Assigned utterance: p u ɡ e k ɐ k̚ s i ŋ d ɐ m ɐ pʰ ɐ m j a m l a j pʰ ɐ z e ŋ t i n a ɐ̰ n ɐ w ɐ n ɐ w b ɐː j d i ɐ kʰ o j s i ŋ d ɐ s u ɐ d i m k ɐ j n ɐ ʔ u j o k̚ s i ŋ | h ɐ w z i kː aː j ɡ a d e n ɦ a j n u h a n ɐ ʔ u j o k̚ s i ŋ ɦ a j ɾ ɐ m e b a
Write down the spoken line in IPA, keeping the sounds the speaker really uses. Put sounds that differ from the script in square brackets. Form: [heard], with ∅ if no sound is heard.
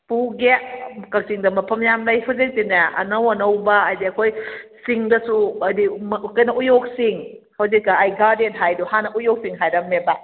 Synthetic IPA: p u ɡ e k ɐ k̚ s i ŋ d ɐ m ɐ pʰ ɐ m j a m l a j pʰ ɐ z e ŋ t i n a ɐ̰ n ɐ w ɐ n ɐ w b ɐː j d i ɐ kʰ o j s i ŋ d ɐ s u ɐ d i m k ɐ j n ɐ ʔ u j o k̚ s i ŋ | h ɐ w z i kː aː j ɡ a d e n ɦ a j [d] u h a n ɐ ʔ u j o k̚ s i ŋ ɦ a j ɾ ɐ m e b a

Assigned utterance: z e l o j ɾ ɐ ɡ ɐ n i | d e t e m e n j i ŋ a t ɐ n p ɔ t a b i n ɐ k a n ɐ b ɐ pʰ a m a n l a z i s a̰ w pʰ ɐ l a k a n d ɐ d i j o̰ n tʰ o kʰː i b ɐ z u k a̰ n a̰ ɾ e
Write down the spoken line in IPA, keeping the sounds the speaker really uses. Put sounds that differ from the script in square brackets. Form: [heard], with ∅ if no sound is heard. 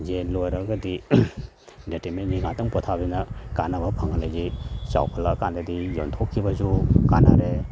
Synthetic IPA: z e l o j ɾ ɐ ɡ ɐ [d] i | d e t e m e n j i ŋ a t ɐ [ŋ] p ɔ [tʰ] a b i n ɐ k a n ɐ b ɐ pʰ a [ŋ] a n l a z i s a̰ w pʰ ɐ l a k a n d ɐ d i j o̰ n tʰ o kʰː i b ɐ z u k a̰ n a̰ ɾ e

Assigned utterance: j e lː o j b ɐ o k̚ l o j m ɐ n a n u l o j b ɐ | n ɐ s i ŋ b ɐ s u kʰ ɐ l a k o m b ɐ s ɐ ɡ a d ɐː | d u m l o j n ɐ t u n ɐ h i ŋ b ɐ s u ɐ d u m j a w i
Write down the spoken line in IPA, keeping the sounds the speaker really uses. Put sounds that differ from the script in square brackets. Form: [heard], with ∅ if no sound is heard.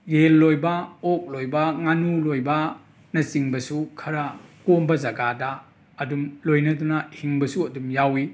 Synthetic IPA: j e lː o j b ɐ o k̚ l o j [b] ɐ [ŋ] a n u l o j b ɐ | n ɐ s i ŋ b ɐ s u kʰ ɐ [ɾ] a k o m b ɐ [z] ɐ ɡ a d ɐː | d u m l o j n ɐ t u n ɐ h i ŋ b ɐ s u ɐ d u m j a w i

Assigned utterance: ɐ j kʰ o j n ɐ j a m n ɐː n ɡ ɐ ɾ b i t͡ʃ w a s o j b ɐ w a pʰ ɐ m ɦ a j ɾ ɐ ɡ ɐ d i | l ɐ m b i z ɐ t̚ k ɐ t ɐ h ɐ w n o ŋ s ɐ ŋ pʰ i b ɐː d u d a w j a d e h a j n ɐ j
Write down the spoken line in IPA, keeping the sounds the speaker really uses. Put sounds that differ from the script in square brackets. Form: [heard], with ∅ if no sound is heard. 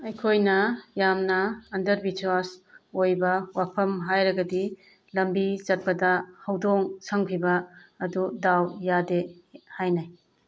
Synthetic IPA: ɐ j kʰ o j n ɐ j a m n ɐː n [d] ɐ ɾ b i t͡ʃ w a s o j b ɐ w a pʰ ɐ m ɦ a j ɾ ɐ ɡ ɐ d i | l ɐ m b i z ɐ t̚ [p] ɐ [d] ɐ h ɐ w [d] o ŋ s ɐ ŋ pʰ i b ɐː d u d a w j a d e h a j n [a] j

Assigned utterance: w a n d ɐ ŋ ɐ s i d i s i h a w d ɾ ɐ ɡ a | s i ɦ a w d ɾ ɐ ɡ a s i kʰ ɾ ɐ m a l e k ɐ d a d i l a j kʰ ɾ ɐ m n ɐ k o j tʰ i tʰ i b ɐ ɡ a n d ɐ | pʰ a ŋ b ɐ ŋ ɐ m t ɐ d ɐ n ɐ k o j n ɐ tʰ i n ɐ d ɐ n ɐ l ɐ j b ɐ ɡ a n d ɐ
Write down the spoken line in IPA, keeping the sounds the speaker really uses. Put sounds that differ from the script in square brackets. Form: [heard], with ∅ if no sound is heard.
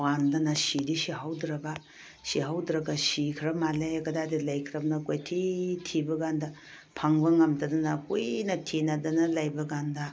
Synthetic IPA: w a n d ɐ [n] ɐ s i d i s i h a w d ɾ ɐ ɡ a | s i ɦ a w d ɾ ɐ ɡ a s i kʰ ɾ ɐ m a l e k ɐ d a d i l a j kʰ ɾ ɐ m n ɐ k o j tʰ i tʰ i b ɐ ɡ a n d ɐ | pʰ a ŋ b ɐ ŋ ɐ m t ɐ d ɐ n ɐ k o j n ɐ tʰ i n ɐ d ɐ n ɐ l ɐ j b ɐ ɡ a n d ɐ

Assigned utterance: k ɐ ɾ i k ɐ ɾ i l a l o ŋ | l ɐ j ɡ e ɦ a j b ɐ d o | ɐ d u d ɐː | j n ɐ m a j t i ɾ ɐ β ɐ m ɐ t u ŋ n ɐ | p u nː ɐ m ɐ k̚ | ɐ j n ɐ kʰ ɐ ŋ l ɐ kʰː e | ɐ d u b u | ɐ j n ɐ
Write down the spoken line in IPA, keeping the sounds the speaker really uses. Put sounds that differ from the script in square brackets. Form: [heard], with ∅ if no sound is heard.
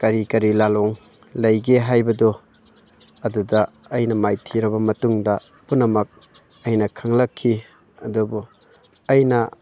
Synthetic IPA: k ɐ ɾ i k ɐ ɾ i l a l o ŋ | l ɐ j ɡ e ɦ a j b ɐ d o | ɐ d u d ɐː | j n ɐ m a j [tʰ] i ɾ ɐ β ɐ m ɐ t u ŋ [d] ɐ | p u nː ɐ m ɐ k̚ | ɐ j n ɐ kʰ ɐ ŋ l ɐ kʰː [i] | ɐ d u b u | ɐ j n ɐ

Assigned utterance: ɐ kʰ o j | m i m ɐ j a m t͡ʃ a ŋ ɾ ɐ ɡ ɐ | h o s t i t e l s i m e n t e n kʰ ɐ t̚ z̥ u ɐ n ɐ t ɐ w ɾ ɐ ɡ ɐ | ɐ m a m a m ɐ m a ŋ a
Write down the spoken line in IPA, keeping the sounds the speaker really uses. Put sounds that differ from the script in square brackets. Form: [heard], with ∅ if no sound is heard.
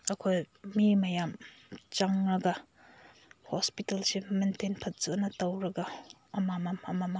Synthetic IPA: ɐ kʰ o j | m i m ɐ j a m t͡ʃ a ŋ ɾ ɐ ɡ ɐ | h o s [p] i t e l s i m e n t e n [pʰ] ɐ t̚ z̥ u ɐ n ɐ t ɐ w ɾ ɐ ɡ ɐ | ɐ m a m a m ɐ m a [m] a

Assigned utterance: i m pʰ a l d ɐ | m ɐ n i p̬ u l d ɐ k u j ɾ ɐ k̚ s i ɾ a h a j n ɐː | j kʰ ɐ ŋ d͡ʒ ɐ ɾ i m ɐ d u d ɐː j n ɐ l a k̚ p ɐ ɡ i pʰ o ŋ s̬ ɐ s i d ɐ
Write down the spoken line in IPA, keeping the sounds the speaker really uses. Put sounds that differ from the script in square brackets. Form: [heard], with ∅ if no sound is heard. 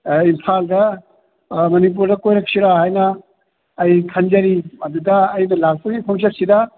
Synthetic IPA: i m pʰ a l d ɐ | m ɐ n i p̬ u [ɾ] d ɐ k [o] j ɾ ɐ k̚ s i ɾ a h a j n ɐː | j kʰ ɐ [n] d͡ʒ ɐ ɾ i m ɐ d u d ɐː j n ɐ l a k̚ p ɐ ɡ i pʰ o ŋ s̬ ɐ s i d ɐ

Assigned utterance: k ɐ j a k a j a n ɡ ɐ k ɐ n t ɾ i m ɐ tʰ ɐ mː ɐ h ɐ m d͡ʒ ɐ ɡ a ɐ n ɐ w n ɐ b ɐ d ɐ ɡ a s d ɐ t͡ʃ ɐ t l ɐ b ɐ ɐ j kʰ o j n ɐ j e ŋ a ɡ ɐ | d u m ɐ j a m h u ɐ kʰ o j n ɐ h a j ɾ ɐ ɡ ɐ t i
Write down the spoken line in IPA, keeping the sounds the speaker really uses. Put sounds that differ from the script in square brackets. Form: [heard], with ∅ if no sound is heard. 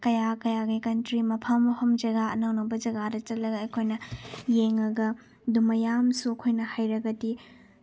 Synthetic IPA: k ɐ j a k [ɐ] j a [∅] ɡ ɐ k ɐ n t ɾ i m ɐ [pʰ] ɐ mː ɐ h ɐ m d͡ʒ ɐ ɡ a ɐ n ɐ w n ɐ b ɐ [d͡ʒ] ɐ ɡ a [∅] d ɐ t͡ʃ ɐ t l ɐ [ɡ] ɐ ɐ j kʰ o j n ɐ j e ŋ [ɐ] ɡ ɐ | d u m ɐ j a m [s] u ɐ kʰ o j n ɐ h a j ɾ ɐ ɡ ɐ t i

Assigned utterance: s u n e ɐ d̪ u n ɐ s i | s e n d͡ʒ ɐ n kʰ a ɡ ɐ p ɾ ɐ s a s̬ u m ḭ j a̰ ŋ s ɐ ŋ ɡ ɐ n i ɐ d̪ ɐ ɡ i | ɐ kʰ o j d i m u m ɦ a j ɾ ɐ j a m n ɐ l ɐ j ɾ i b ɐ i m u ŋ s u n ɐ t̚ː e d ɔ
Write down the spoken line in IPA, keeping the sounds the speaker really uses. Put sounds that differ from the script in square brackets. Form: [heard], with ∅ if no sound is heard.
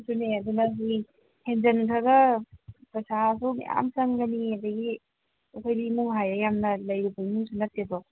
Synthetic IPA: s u n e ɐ d̪ u n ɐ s i | [h] e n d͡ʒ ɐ n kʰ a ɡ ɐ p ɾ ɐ s a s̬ u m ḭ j a̰ [m] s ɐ ŋ ɡ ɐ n i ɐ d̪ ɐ ɡ i | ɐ kʰ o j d i m u [ŋ] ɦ a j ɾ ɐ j a m n ɐ l ɐ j ɾ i b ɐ i m u ŋ s u n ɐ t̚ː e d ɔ

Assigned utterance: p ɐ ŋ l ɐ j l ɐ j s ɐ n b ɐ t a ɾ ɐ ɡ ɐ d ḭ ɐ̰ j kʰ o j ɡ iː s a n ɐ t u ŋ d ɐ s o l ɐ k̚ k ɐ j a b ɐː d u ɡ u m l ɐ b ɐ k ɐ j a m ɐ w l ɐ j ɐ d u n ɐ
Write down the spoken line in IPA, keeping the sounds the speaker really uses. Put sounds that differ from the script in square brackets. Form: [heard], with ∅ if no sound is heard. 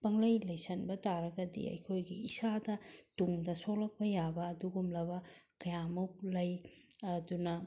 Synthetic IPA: p ɐ ŋ l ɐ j l ɐ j s ɐ n b ɐ t a ɾ ɐ ɡ ɐ d ḭ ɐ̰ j kʰ o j ɡ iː s a [d] ɐ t u ŋ d ɐ s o l ɐ k̚ [p] ɐ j a b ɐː d u ɡ u m l ɐ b ɐ k ɐ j a m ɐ w l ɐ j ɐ d u n ɐ

